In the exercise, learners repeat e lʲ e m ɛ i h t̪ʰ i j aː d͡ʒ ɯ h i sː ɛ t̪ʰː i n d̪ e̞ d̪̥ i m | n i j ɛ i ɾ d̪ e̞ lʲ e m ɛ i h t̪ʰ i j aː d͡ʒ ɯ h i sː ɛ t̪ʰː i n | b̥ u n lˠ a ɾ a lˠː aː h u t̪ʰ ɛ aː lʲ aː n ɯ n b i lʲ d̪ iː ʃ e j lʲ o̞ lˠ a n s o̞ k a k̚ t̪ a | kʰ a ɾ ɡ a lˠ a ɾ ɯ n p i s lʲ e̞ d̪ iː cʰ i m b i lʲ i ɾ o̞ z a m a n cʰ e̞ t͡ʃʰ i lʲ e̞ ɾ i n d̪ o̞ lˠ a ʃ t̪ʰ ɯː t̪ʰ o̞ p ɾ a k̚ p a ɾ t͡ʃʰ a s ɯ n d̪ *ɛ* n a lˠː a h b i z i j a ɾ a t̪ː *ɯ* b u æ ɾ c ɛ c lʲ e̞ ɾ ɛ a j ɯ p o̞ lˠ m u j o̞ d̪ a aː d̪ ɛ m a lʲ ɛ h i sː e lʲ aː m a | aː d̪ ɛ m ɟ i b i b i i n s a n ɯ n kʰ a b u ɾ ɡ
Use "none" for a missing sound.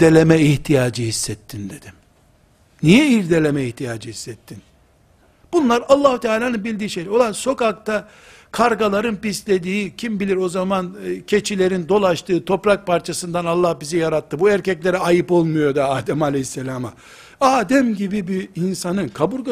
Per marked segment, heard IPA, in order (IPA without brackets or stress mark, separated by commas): a, ɯ